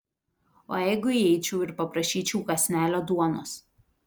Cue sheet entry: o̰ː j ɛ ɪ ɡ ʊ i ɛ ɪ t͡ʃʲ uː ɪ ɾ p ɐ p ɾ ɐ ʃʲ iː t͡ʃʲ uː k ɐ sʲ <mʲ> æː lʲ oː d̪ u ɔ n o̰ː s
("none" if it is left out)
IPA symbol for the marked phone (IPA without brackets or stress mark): nʲ